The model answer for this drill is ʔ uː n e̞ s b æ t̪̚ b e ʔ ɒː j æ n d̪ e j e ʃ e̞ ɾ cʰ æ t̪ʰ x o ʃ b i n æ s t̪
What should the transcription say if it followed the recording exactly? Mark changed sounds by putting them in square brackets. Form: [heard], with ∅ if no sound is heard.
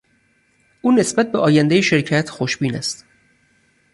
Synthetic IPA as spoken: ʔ uː n e̞ s b æ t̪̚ b e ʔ ɒː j æ n d̪ e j e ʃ e̞ ɾ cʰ æ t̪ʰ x o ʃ b [iː] n æ s t̪